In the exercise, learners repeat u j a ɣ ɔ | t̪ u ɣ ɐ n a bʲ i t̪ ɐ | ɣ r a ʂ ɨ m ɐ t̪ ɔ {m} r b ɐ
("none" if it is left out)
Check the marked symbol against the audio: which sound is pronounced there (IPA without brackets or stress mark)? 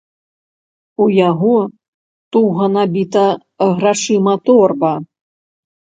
none